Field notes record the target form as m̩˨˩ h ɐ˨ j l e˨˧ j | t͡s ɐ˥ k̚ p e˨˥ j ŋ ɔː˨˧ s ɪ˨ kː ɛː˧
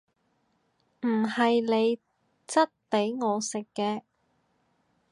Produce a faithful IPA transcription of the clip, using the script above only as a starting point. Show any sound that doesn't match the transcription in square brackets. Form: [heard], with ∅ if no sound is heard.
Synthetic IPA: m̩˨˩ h ɐ˨ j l e˨˧ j | t͡s ɐ˥ [t̚] p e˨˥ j ŋ ɔː˨˧ s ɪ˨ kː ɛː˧